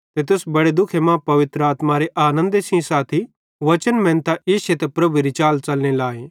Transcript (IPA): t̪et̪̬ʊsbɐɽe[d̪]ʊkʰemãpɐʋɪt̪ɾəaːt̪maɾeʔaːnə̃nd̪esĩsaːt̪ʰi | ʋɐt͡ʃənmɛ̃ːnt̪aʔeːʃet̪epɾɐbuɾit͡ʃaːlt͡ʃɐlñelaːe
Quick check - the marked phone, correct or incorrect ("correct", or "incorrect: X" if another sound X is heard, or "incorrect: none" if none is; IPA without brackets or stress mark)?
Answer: correct